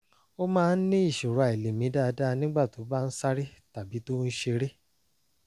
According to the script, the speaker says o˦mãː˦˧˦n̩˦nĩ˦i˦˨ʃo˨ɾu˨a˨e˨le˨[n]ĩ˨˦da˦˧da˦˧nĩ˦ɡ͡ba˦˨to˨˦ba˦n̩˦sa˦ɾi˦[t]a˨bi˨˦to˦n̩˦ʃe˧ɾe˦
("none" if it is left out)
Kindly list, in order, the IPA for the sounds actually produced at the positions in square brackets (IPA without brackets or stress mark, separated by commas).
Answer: m, t